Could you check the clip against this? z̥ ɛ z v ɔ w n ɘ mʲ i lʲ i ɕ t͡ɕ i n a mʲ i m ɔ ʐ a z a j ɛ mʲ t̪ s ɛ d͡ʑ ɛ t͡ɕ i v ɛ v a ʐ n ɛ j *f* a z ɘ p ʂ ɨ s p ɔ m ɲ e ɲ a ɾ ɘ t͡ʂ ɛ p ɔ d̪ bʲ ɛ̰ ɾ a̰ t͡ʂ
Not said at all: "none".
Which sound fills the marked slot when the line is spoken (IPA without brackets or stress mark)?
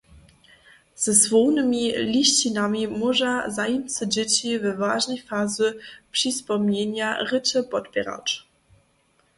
f